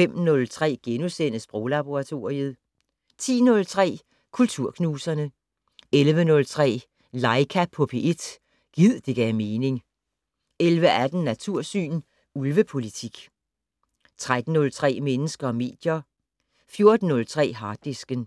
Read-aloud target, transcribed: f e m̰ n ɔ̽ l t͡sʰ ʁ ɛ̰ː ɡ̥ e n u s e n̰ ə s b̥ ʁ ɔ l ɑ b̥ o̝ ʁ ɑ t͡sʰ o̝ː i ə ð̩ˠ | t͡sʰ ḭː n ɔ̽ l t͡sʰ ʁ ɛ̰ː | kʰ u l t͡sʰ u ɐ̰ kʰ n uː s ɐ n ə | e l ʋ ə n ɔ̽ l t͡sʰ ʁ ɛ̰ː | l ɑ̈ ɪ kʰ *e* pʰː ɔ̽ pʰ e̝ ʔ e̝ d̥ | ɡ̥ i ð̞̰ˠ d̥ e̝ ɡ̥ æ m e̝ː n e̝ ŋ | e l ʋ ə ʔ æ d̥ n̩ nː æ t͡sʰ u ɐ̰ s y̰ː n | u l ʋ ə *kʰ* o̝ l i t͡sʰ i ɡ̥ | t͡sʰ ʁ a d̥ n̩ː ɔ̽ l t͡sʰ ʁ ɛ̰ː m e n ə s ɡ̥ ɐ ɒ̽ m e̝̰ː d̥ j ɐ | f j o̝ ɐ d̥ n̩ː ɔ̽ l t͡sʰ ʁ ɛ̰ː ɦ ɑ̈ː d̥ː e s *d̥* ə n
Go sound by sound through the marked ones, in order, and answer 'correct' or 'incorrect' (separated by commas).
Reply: incorrect, incorrect, incorrect